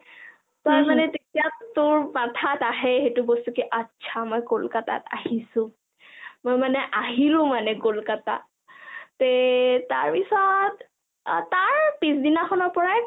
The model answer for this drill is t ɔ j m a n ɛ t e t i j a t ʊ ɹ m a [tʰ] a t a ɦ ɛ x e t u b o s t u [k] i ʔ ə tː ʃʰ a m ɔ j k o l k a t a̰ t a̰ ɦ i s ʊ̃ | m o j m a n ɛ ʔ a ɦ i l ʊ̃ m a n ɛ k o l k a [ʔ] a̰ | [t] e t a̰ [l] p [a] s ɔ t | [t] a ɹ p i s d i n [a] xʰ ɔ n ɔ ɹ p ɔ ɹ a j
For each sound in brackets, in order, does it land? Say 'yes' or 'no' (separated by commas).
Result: yes, yes, no, yes, no, no, yes, yes